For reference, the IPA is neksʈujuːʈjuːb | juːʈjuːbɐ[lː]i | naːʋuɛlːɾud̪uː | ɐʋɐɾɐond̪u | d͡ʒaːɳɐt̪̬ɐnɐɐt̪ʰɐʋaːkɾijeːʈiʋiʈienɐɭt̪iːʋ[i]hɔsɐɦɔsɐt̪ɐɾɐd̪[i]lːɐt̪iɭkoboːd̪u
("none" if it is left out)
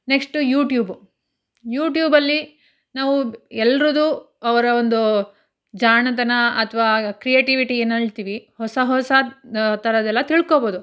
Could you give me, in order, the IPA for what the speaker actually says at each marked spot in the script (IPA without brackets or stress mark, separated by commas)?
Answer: lː, i, ɛ